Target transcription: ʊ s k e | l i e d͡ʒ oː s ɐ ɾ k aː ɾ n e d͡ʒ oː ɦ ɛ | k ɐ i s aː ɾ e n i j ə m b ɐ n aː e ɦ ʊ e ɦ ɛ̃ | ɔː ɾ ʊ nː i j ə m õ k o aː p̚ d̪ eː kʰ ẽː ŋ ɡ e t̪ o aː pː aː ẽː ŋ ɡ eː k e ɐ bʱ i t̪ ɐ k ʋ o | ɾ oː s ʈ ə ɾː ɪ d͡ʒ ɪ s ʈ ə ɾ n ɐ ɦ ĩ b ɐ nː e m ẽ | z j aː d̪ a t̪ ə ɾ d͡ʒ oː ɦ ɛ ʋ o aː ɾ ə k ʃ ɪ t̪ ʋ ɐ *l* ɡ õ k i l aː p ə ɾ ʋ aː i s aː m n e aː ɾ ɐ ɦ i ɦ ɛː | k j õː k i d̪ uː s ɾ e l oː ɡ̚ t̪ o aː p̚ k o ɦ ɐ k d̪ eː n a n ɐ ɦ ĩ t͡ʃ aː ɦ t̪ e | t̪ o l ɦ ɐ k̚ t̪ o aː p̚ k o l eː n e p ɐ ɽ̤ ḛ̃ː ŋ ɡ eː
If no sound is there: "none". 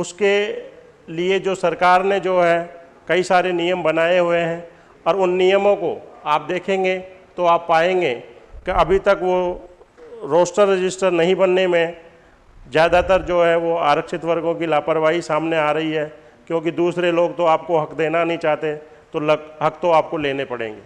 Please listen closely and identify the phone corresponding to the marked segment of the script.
ɾ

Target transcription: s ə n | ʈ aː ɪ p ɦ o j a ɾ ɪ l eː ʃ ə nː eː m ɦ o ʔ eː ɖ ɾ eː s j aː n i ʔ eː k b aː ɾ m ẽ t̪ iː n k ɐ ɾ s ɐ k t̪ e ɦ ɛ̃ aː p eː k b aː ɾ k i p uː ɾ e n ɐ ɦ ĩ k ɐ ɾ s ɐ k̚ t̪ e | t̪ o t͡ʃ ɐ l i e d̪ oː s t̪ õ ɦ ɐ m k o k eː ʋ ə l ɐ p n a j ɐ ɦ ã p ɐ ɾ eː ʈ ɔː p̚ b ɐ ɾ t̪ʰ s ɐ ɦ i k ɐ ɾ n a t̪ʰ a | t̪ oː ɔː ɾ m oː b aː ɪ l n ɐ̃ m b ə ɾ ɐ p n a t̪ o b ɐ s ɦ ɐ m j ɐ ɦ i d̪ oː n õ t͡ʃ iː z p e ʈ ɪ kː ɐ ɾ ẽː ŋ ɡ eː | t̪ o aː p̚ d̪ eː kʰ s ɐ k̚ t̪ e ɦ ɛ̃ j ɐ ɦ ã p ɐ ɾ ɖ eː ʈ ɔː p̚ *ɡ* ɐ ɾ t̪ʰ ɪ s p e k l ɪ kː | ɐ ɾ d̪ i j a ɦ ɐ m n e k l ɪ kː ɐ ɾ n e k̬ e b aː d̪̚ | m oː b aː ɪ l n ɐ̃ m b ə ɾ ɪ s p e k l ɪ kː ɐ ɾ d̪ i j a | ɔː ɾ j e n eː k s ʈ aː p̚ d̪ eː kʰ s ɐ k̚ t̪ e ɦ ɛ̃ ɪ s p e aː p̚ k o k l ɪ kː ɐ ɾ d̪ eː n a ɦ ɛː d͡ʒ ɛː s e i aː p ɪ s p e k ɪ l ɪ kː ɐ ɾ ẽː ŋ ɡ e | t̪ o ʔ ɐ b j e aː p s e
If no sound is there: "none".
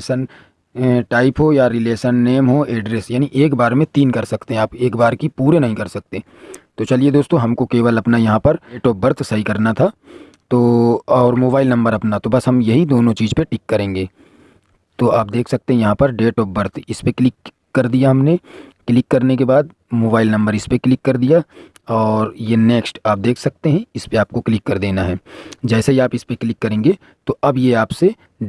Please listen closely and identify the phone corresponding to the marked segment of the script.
b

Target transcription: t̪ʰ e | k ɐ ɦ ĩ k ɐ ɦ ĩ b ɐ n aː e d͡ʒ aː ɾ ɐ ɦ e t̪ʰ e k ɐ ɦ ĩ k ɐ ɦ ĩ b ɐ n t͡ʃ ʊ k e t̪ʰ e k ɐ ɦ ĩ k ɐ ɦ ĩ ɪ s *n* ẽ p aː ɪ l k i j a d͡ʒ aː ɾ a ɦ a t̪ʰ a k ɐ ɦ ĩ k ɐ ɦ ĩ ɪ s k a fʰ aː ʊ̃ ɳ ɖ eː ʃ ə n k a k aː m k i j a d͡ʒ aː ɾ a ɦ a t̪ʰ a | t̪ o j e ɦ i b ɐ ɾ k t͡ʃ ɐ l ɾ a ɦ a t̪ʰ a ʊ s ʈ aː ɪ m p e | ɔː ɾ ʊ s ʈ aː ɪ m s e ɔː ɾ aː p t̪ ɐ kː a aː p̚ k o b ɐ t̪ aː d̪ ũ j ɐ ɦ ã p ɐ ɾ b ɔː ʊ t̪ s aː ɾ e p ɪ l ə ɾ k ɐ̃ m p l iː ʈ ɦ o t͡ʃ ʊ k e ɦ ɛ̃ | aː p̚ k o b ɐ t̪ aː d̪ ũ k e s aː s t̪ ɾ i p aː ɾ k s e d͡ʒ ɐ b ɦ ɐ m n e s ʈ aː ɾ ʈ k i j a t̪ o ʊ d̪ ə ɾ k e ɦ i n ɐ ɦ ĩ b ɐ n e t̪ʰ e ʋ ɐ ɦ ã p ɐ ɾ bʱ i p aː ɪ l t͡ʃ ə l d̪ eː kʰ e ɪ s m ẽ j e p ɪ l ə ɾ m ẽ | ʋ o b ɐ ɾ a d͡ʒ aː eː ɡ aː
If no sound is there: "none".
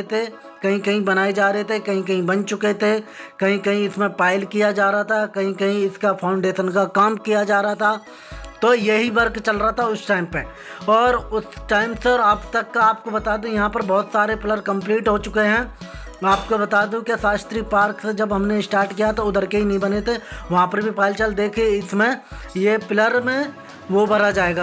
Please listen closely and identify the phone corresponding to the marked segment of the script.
m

